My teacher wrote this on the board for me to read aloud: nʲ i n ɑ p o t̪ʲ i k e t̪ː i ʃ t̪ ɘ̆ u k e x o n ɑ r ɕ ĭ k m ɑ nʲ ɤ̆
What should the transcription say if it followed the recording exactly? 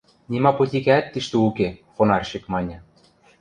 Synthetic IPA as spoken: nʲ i m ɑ p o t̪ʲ i k æ t̪ː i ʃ t̪ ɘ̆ u k e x o n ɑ r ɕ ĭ k m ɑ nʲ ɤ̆